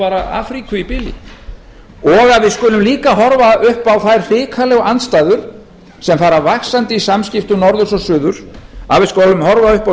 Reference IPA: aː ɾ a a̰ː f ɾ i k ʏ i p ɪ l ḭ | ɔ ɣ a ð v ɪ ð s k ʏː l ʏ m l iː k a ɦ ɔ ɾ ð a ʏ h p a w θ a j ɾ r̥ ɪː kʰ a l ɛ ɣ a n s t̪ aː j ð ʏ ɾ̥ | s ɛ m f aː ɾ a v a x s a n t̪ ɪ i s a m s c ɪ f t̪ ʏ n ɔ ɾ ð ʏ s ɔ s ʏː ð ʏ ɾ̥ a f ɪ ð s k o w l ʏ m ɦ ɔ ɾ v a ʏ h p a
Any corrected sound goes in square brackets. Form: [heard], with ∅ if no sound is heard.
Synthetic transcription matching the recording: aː ɾ a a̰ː f ɾ i k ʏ i p ɪ l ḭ | ɔ ɣ a ð v ɪ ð s k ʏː l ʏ m l iː k a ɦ ɔ ɾ [v] a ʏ h p a w θ a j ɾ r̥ ɪː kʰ a l ɛ ɣ a n s t̪ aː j ð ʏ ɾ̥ | s ɛ m f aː ɾ a v a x s a n t̪ ɪ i s a m s c ɪ f t̪ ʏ n ɔ ɾ ð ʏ s ɔ s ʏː ð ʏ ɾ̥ a [v] ɪ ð s k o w l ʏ m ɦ ɔ ɾ v a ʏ h p a